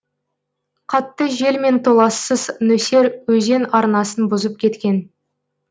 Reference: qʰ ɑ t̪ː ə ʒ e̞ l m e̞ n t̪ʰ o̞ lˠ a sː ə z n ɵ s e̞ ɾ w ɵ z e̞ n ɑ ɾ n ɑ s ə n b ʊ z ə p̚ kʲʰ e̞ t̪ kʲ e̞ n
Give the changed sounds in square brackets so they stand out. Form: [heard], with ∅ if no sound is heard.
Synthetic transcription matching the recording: qʰ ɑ t̪ː ə ʒ e̞ l m e̞ n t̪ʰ o̞ lˠ [ɑ] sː ə z n ɵ s e̞ ɾ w ɵ z e̞ n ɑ ɾ n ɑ s ə n b ʊ z ə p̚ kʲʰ e̞ t̪ kʲ e̞ n